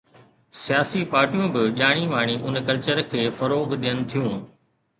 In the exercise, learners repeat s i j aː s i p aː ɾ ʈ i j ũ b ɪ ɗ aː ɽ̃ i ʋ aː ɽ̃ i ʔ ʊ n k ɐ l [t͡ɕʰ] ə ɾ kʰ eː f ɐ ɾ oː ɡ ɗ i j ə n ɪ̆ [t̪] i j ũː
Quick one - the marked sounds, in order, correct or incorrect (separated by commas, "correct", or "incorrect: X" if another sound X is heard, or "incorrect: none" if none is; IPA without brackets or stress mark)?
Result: incorrect: t͡ɕ, incorrect: t̪ʰ